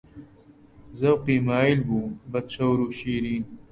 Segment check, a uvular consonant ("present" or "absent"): present